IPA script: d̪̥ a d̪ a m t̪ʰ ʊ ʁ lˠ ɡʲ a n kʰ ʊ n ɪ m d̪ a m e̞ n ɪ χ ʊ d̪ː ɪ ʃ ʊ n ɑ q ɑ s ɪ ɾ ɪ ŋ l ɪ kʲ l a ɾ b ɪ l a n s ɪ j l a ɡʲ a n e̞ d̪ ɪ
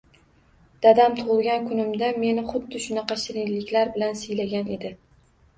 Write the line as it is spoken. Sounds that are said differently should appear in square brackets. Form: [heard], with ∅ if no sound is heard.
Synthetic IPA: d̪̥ a d̪ a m t̪ʰ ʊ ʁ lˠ ɡʲ a n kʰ ʊ n ɪ m d̪ a m e̞ n ɪ χ ʊ d̪ː ɪ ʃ ʊ n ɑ q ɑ [ʃ] ɪ ɾ ɪ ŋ l ɪ kʲ l a ɾ b ɪ l a n s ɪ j l a ɡʲ a n e̞ d̪ ɪ